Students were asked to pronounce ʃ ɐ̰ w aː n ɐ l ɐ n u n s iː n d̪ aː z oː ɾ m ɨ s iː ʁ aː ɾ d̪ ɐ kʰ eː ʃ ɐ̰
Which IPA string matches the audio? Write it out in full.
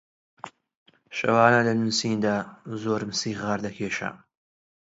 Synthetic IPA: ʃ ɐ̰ w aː n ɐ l ɐ n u n s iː n d̪ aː z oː ɾ m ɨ s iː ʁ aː ɾ d̪ ɐ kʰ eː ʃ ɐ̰